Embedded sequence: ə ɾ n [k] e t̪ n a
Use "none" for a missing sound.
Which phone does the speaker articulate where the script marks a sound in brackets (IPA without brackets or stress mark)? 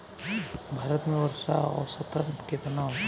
k